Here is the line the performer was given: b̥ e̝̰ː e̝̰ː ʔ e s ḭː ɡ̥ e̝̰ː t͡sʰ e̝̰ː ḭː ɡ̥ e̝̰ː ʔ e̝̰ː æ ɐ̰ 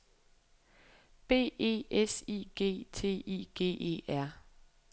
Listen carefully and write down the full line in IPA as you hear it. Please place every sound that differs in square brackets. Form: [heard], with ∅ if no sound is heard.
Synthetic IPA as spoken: b̥ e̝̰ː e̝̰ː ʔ e s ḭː ɡ̥ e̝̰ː t͡sʰ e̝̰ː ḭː ɡ̥ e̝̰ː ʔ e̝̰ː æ ɐ̰